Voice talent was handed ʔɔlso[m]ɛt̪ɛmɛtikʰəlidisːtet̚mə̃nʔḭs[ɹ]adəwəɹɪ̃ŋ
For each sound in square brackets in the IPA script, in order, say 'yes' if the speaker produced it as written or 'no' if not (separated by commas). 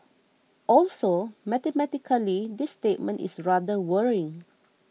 yes, yes